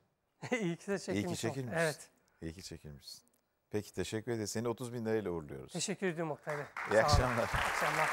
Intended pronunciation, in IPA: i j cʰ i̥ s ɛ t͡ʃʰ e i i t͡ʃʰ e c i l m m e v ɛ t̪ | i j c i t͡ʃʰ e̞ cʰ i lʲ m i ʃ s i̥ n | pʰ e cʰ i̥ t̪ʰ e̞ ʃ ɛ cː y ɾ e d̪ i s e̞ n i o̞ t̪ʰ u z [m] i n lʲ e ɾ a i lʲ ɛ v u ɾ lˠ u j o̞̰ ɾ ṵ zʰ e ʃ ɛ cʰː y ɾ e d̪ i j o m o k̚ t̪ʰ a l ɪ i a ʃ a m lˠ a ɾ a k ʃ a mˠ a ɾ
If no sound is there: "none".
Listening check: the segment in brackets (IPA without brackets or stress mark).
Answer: b